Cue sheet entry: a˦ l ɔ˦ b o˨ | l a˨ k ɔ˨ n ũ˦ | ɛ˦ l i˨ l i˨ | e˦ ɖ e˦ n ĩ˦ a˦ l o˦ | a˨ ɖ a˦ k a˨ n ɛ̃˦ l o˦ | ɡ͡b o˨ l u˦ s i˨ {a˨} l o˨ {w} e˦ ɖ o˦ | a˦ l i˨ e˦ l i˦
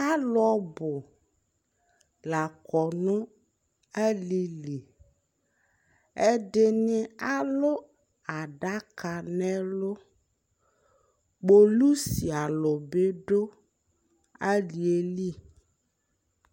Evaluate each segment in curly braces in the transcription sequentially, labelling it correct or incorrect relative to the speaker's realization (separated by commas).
correct, incorrect